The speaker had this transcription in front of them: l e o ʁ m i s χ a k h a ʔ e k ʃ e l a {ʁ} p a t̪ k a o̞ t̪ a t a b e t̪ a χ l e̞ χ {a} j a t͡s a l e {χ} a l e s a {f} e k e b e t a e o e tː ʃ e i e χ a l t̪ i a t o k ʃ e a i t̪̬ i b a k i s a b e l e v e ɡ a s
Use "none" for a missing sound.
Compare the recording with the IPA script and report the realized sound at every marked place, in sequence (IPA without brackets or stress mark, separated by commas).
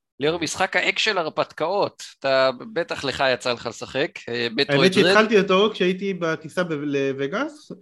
ʁ, a, χ, χ